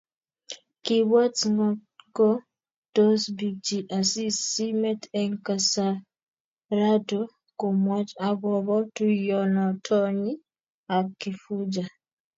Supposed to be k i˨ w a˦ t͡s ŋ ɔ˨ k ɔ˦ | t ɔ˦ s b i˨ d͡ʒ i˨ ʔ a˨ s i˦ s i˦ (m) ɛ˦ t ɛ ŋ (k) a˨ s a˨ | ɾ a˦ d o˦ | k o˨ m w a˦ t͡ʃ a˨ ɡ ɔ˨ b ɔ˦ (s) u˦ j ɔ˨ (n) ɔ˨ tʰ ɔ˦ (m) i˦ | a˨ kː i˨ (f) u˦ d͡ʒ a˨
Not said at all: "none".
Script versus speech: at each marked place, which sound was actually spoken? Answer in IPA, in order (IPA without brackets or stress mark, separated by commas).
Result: m, k, t, n, ɲ, f